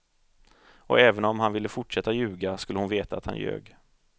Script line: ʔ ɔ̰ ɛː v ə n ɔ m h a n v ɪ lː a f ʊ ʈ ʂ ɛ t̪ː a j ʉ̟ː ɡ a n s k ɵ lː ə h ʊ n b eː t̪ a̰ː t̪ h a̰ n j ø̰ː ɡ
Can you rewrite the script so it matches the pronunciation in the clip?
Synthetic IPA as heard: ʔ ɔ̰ ɛː v ə n ɔ m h a n v ɪ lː ə f ʊ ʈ ʂ ɛ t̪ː a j ʉ̟ː ɡ a s k ɵ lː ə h ʊ n v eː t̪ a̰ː t̪ h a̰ n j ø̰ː ɡ